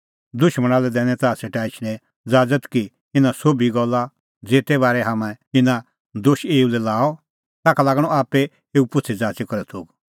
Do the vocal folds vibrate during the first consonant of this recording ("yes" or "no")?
yes